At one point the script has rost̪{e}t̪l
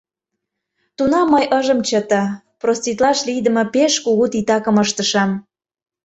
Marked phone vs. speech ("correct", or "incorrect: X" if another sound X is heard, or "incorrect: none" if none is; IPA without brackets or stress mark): incorrect: i